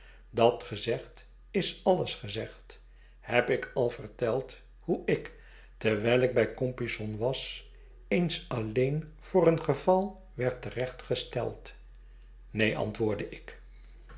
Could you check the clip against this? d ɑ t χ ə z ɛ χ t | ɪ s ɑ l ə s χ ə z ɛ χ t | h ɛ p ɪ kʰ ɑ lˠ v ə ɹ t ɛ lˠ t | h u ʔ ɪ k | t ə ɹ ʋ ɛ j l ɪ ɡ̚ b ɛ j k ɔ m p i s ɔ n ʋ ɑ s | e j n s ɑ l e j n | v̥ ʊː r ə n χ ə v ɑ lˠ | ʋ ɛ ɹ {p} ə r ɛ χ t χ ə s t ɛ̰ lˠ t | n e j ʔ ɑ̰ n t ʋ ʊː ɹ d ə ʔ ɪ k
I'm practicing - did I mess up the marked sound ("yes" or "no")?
yes